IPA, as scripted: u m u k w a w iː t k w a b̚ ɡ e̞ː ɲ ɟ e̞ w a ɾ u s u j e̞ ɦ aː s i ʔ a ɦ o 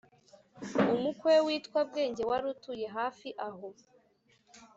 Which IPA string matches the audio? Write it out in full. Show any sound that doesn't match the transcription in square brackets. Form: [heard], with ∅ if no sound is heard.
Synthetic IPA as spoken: u m u k w [e] w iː t k w a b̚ ɡ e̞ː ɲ ɟ e̞ w a ɾ u [t] u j e̞ ɦ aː [f] i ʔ a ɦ o